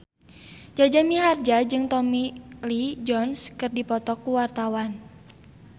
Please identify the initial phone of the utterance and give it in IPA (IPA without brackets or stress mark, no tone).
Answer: d͡ʒ